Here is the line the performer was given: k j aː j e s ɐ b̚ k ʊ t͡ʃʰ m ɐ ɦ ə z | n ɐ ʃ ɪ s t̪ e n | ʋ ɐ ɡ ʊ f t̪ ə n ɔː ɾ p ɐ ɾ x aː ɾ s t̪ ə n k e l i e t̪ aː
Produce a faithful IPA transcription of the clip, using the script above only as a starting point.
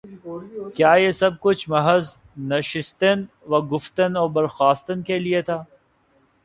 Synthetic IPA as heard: k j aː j e s ɐ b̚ k ʊ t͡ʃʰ m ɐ ɦ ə z | n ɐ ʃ ɪ s t̪ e n | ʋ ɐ ɡ ʊ f t̪ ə n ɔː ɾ b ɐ ɾ x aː s t̪ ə n k e l i e t̪ʰ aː